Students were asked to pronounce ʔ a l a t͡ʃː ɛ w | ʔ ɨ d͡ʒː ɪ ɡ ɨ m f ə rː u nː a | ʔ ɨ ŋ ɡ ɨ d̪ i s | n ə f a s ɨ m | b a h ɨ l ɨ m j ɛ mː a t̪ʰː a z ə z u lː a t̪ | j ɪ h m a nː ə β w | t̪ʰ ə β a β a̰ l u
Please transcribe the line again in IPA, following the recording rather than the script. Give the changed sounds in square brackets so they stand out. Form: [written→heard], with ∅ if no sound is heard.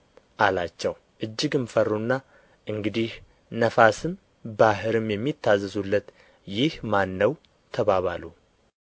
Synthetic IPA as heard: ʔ a l a t͡ʃː ɛ w | ʔ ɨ d͡ʒː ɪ ɡ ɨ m f ə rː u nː a | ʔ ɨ ŋ ɡ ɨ d̪ i [s→h] | n ə f a s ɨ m | b a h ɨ [l→ɾ] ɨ m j ɛ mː [a→i] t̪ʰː a z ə z u lː [a→ə] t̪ | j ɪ h m a nː ə [β→∅] w | t̪ʰ ə β a β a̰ l u